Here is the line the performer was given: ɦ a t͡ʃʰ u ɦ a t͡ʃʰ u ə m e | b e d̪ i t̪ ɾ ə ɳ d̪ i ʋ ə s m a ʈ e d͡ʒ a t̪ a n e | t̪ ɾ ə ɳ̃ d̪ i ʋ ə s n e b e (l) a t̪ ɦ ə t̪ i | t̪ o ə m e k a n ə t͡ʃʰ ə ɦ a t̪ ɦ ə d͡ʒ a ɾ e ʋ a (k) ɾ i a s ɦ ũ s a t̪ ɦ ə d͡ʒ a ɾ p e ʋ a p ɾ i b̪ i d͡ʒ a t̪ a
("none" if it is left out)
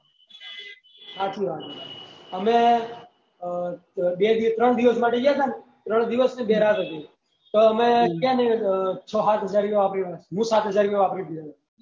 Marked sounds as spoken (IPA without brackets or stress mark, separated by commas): ɾ, p